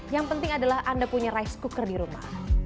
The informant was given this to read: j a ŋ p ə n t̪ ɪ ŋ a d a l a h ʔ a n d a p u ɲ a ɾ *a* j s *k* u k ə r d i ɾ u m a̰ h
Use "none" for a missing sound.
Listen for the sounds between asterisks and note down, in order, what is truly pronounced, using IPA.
a, k

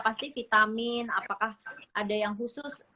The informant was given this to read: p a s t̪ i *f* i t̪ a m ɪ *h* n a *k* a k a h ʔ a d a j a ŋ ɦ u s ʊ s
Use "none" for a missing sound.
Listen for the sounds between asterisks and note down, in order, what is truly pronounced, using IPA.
f, none, p

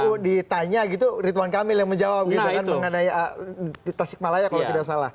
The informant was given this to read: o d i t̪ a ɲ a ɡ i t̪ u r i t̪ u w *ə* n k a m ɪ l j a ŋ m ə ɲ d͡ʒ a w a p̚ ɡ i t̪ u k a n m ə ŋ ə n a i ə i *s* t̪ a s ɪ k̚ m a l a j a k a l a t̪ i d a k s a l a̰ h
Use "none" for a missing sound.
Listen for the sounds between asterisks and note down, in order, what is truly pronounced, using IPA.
a, none

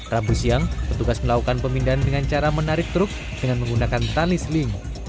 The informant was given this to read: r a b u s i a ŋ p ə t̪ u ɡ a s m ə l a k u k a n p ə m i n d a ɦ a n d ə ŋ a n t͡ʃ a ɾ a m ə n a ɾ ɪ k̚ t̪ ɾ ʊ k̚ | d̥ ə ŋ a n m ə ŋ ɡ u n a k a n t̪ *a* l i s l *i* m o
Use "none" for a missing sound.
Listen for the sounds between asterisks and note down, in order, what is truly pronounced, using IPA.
a, i

